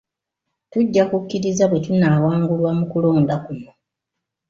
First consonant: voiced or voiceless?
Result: voiceless